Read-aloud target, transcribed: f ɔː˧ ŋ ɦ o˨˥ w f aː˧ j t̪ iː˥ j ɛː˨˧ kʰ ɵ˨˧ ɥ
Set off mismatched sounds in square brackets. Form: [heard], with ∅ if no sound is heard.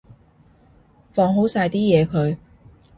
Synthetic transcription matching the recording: f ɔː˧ ŋ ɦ o˨˥ w [s] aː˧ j t̪ iː˥ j ɛː˨˧ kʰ ɵ˨˧ ɥ